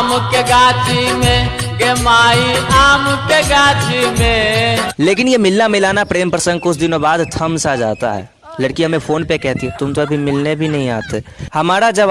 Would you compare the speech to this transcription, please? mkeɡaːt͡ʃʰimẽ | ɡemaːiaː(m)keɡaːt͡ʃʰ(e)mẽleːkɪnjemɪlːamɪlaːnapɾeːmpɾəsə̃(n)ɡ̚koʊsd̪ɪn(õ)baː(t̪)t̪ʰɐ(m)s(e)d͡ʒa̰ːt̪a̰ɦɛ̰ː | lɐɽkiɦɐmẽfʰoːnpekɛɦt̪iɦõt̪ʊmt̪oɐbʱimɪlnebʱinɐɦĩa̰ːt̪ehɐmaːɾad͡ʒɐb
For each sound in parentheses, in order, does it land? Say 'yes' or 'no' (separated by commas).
yes, no, no, no, no, yes, no